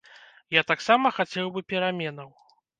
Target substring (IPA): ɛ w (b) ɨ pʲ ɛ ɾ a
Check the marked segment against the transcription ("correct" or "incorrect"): correct